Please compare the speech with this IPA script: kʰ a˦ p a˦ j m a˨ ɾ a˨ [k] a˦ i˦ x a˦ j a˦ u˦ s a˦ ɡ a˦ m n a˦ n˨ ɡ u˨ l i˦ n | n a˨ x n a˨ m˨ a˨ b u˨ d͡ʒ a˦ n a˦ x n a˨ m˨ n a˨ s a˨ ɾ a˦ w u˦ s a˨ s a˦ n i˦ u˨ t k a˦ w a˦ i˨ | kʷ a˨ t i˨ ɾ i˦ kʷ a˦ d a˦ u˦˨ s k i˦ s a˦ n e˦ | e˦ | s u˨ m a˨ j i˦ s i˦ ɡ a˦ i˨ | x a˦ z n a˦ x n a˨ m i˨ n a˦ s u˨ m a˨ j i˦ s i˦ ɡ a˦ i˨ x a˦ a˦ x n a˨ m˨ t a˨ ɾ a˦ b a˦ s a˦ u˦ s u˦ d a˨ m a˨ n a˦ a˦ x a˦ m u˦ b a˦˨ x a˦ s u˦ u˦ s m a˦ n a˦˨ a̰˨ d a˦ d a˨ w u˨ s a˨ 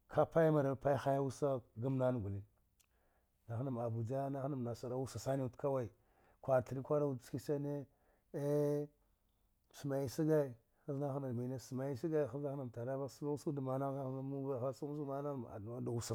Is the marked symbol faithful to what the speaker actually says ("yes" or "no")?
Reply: no